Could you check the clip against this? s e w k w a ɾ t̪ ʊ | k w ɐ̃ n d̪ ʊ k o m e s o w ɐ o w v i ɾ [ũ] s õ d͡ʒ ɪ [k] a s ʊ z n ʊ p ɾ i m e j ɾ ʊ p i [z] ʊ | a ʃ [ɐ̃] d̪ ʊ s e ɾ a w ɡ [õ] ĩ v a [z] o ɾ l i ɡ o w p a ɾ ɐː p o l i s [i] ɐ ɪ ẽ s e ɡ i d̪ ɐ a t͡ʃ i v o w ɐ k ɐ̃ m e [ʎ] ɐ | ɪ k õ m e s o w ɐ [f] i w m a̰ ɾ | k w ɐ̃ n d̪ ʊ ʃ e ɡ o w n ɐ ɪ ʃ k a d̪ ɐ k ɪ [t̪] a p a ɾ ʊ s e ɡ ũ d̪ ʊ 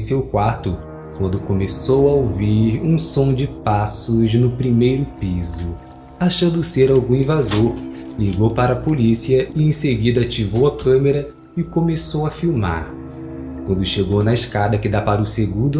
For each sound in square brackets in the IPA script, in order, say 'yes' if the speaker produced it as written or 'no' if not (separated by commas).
yes, no, yes, yes, no, yes, yes, no, yes, no